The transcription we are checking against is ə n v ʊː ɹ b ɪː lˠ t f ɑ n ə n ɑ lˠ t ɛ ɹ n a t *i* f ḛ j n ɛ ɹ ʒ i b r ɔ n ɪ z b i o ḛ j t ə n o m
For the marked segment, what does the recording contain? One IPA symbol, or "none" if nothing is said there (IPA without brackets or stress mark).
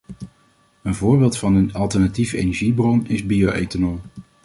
i